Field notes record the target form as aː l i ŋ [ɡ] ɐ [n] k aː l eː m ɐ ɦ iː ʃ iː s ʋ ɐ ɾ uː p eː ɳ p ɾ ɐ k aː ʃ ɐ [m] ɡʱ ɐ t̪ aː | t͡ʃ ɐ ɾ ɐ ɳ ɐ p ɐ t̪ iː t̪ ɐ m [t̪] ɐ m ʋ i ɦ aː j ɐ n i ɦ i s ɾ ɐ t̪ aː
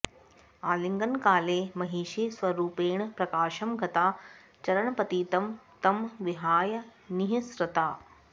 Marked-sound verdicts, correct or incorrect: correct, correct, correct, correct

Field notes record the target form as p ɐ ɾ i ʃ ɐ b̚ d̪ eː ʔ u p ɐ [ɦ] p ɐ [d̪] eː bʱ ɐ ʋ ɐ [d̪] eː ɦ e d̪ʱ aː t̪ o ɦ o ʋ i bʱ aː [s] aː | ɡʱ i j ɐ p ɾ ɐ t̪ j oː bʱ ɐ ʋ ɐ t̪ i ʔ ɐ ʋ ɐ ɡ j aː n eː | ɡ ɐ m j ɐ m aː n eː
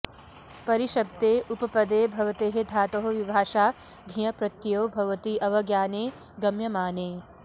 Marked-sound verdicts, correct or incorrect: incorrect, correct, incorrect, incorrect

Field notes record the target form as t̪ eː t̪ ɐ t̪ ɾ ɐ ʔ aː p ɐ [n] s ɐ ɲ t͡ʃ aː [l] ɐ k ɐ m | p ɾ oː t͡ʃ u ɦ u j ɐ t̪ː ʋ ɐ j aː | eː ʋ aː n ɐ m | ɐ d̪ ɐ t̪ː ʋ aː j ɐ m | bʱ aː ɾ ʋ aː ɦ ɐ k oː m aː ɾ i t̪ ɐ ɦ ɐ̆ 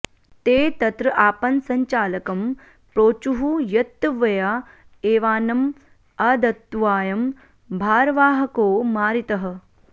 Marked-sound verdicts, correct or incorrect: correct, correct

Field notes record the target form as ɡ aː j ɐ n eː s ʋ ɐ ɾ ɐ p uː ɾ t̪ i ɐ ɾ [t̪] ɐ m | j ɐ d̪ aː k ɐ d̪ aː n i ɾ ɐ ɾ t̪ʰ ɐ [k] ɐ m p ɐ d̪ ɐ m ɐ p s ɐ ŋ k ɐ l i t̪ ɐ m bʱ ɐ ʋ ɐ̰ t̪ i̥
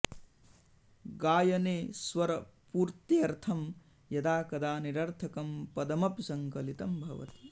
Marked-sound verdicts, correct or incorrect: incorrect, correct

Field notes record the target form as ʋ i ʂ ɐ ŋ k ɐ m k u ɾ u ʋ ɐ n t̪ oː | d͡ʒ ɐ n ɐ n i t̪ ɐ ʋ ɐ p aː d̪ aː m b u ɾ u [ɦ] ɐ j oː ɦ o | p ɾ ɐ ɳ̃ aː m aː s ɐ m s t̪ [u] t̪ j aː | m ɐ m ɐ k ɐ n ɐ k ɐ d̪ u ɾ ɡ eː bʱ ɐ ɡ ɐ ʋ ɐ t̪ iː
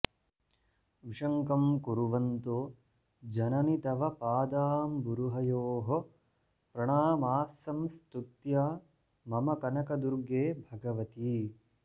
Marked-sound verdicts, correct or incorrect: correct, correct

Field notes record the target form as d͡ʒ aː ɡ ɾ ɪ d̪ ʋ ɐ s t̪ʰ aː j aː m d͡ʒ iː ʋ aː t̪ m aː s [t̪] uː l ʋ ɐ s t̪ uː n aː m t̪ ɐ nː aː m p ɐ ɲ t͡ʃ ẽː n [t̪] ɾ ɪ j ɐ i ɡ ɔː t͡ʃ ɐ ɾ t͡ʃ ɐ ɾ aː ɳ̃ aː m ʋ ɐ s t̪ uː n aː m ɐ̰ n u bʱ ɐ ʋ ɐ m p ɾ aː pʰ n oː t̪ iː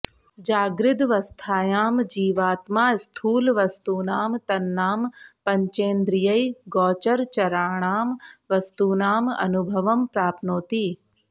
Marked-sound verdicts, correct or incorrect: incorrect, incorrect

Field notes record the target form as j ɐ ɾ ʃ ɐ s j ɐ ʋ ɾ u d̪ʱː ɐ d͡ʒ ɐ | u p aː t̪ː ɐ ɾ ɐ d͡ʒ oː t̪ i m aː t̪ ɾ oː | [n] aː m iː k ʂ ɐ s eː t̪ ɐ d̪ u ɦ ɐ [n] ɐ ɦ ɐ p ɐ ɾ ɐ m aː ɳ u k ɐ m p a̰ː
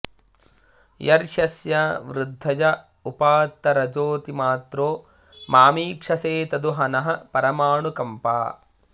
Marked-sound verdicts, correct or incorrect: incorrect, correct

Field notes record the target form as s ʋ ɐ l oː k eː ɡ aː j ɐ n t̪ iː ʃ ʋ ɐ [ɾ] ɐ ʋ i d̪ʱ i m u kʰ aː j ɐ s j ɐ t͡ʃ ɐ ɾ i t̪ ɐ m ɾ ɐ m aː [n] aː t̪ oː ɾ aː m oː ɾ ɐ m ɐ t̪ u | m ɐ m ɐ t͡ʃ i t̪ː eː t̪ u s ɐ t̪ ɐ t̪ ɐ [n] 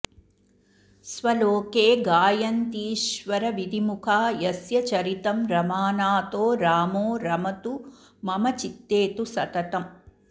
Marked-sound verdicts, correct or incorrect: correct, correct, incorrect

